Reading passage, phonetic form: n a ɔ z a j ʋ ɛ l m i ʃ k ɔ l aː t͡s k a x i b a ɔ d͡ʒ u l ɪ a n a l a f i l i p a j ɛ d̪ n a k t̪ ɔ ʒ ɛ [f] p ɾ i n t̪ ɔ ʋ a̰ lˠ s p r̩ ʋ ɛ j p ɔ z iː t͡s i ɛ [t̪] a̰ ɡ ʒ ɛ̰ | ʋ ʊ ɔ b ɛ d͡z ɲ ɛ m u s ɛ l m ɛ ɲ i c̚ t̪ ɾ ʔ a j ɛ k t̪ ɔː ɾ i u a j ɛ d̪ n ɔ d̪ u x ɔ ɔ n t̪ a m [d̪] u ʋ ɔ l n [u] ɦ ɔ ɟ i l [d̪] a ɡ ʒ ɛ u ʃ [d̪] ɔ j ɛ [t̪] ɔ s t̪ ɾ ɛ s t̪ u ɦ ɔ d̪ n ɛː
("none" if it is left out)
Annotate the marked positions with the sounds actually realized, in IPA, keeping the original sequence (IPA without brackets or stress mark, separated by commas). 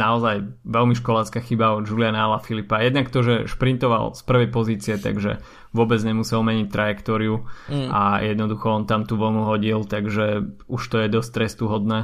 ʃ, t̪, t̪, u, t̪, t̪, d̪